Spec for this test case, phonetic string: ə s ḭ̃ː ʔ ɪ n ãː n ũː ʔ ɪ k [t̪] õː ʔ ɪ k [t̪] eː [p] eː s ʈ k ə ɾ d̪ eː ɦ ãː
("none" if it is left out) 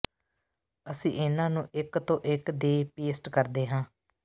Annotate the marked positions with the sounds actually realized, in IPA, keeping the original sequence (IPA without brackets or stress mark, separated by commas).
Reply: t̪, d̪, p